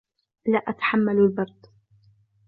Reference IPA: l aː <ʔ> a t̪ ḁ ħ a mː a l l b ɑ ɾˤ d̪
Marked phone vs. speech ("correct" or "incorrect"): correct